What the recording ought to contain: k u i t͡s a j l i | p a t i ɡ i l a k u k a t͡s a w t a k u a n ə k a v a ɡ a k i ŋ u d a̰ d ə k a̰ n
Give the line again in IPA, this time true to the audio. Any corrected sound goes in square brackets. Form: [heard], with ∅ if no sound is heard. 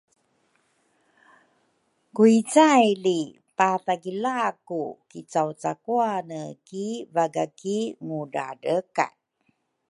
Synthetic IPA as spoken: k u i t͡s a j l i | p a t [a] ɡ i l a k u k [i] t͡s a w [t͡s] a k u a n ə k [i] v a ɡ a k i ŋ u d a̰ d ə k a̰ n